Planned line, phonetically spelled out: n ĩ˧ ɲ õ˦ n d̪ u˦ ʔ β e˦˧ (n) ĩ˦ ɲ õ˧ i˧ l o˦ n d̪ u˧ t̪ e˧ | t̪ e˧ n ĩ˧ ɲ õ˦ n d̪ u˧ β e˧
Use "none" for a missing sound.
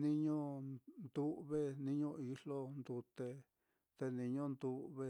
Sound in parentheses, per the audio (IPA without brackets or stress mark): n